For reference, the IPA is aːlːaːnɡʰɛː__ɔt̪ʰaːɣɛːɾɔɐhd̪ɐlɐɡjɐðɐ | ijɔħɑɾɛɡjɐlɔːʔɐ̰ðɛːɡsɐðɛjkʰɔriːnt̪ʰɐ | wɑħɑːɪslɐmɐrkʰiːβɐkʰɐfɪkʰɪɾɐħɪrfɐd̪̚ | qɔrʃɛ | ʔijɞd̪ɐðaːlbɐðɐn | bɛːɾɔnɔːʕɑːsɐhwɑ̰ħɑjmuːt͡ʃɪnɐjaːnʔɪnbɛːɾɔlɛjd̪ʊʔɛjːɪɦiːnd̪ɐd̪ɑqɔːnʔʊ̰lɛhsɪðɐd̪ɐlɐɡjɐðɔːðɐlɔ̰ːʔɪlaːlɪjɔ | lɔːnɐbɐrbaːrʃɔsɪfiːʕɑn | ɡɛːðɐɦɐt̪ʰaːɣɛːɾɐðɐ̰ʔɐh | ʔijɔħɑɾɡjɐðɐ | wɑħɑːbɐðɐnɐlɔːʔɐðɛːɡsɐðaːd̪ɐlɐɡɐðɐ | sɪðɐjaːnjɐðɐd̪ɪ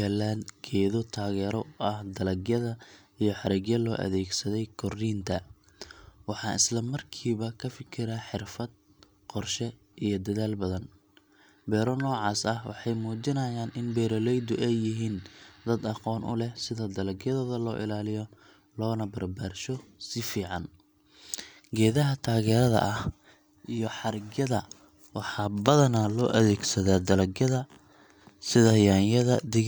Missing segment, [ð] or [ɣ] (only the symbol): ð